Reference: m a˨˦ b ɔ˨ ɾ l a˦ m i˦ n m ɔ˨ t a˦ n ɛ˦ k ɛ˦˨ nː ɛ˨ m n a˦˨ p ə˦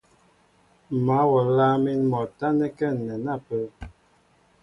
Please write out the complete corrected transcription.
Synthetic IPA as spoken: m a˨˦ w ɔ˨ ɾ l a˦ m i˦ n m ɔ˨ t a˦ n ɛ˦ k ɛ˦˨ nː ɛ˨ n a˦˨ p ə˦